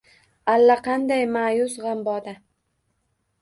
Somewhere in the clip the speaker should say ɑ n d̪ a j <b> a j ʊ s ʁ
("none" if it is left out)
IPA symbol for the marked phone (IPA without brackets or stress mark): m